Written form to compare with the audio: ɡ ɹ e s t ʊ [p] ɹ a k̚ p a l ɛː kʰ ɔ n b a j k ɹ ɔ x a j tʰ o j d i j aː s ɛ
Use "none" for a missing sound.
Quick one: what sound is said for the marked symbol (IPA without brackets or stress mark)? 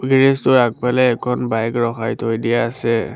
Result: none